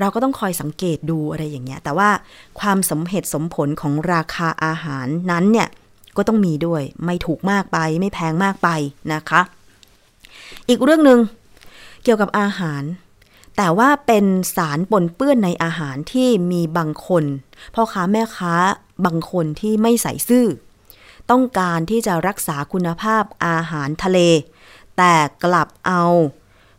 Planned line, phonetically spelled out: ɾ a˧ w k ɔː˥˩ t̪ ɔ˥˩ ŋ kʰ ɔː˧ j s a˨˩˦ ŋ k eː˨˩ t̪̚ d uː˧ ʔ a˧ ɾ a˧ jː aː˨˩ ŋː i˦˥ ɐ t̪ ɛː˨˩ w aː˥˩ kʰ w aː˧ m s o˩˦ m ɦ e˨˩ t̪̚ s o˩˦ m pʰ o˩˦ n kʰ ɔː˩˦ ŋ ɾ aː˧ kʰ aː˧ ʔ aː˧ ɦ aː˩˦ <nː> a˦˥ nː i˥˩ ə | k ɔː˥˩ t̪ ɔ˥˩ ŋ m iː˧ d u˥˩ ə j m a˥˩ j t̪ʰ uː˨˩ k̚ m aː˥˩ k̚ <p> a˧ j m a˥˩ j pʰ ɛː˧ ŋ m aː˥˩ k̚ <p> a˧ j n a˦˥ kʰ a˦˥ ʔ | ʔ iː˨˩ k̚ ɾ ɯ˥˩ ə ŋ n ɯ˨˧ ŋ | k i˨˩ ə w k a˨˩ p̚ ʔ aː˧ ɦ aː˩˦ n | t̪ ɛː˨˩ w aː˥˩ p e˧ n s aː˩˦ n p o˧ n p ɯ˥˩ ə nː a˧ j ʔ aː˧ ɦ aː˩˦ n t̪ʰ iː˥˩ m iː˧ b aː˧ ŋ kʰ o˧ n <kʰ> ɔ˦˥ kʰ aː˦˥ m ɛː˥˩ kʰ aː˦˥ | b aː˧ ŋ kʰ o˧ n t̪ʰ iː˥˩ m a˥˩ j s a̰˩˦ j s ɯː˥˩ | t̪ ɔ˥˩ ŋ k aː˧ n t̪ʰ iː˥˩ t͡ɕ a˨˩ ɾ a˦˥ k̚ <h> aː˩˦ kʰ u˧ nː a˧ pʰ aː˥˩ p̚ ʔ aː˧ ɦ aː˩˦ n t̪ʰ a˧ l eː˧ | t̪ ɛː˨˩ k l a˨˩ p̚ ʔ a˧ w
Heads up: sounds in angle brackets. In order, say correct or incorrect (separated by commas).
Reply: correct, correct, correct, incorrect, incorrect